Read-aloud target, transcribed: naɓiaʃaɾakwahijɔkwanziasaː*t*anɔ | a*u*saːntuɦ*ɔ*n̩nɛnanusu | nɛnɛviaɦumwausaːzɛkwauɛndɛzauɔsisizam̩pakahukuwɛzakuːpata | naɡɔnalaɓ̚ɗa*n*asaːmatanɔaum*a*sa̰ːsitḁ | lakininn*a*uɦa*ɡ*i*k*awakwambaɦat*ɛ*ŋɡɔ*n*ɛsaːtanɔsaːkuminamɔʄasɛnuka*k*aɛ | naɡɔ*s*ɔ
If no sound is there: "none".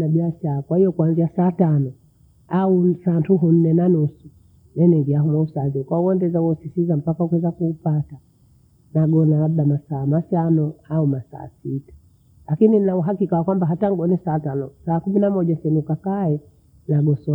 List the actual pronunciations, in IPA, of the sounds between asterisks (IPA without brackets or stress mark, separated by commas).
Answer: t, u, u, m, a, a, k, k, a, n, k, s